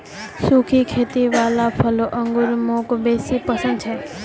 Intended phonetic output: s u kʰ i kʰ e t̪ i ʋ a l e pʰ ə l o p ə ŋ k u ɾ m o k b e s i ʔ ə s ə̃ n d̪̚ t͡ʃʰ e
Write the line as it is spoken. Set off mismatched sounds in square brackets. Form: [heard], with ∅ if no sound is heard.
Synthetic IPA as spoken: s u kʰ i kʰ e t̪ i ʋ a l [a] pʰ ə l o [ʔ] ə ŋ [ɡ] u ɾ m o k b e s i [p] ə s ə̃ n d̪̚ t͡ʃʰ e